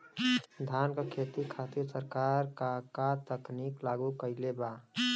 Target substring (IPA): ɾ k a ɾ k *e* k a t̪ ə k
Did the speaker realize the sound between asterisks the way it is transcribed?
no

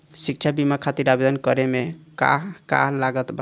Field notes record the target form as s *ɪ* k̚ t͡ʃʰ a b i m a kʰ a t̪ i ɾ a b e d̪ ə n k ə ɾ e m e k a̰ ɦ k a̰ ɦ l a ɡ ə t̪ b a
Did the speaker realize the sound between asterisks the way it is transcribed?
no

